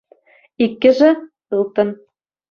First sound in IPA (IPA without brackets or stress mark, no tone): i